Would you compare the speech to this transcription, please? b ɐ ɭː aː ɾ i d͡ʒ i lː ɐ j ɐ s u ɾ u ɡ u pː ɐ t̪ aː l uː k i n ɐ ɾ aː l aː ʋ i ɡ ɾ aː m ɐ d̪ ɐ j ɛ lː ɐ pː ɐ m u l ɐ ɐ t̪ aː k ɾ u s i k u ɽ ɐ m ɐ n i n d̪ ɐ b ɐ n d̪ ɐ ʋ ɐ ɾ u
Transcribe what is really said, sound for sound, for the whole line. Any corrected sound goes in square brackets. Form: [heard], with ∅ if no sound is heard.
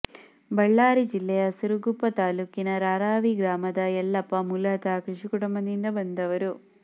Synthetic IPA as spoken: b ɐ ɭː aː ɾ i d͡ʒ i lː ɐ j ɐ s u ɾ u ɡ u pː ɐ t̪ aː l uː k i n ɐ ɾ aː [ɾ] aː ʋ i ɡ ɾ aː m ɐ d̪ ɐ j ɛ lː ɐ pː ɐ m u l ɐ ɐ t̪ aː k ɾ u [ʂ] i k u ɽ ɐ m ɐ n i n d̪ ɐ b ɐ n d̪ ɐ ʋ ɐ ɾ u